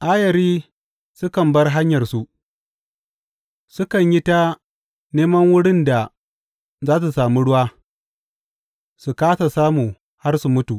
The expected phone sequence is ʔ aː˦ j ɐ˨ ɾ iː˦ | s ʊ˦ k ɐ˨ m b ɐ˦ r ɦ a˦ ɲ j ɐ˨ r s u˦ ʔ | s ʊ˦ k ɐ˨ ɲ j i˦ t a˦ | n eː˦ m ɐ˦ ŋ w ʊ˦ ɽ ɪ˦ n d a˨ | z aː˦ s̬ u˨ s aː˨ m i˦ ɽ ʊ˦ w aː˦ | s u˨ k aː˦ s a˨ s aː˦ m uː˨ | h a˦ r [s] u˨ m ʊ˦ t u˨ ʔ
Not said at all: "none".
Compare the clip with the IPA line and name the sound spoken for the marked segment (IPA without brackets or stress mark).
s